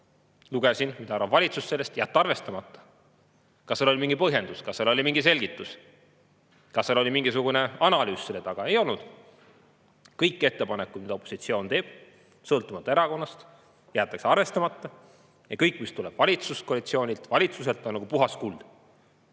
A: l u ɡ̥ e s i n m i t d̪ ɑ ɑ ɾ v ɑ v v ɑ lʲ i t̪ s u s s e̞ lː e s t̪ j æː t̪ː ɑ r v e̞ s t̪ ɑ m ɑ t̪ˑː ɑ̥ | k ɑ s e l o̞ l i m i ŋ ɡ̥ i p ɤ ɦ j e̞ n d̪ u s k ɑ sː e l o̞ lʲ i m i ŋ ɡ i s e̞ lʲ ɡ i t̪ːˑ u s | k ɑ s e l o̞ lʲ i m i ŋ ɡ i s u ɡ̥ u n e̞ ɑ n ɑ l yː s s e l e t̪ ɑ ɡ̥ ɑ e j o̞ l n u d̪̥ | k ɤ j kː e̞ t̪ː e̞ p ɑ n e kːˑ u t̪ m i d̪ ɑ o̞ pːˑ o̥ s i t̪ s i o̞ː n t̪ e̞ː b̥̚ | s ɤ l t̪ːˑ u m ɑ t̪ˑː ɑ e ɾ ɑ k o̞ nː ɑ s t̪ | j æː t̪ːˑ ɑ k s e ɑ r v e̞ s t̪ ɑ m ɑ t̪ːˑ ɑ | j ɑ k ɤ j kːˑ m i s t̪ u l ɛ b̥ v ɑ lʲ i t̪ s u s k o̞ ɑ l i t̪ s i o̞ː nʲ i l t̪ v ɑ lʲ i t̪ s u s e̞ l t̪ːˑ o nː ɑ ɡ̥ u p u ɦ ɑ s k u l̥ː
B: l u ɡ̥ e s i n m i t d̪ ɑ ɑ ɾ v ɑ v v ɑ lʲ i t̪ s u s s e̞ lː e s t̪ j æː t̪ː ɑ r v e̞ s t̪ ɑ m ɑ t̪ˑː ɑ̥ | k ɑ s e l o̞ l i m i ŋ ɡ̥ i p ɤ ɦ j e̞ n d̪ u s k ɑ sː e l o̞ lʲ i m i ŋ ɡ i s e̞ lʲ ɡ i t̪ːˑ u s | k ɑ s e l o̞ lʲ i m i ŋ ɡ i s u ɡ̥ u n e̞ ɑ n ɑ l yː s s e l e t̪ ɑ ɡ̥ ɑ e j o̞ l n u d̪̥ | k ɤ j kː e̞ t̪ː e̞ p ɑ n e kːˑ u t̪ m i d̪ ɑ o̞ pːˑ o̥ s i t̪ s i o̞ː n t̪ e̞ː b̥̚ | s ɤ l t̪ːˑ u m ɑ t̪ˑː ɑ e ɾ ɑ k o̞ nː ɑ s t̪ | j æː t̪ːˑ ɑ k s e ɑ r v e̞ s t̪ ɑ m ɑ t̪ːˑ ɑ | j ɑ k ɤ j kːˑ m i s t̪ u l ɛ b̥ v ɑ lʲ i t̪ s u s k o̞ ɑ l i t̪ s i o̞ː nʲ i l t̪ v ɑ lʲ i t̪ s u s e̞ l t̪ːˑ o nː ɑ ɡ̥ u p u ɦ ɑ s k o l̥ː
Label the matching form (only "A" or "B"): A